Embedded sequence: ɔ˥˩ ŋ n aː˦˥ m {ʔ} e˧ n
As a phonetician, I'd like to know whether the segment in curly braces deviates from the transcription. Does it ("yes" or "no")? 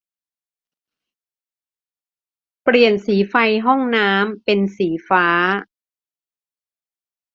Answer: yes